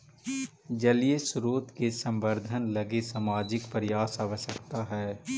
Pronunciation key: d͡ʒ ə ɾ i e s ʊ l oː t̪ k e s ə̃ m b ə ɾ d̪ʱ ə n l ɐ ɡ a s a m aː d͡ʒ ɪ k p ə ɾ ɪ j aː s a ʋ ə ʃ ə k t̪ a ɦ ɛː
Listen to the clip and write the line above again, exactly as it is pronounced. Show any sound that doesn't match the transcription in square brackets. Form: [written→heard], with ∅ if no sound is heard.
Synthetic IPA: d͡ʒ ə [ɾ→l] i e s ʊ [l→ɾ] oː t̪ k e s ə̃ m b ə ɾ d̪ʱ ə n l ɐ ɡ [a→e] s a m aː d͡ʒ ɪ k p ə ɾ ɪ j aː s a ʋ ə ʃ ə k t̪ a ɦ ɛː